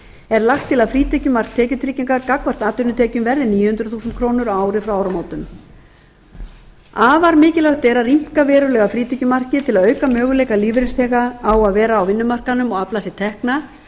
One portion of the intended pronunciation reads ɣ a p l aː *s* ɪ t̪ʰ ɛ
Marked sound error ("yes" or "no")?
no